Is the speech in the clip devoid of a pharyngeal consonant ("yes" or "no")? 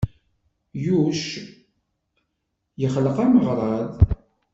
yes